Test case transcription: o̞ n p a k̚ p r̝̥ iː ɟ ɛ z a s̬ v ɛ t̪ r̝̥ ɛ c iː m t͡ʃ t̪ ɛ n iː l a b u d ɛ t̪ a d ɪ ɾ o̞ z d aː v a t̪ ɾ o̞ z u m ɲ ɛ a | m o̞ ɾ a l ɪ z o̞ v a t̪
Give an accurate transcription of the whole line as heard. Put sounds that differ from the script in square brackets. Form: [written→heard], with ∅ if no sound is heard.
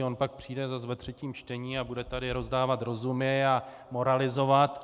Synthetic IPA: o̞ n p a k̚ p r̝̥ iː [ɟ→d] ɛ z a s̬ v ɛ t̪ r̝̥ ɛ c iː m t͡ʃ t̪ ɛ [n→ɲ] iː [l→∅] a b u d ɛ t̪ a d ɪ ɾ o̞ z d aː v a t̪ ɾ o̞ z u m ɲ ɛ a | m o̞ ɾ a l ɪ z o̞ v a t̪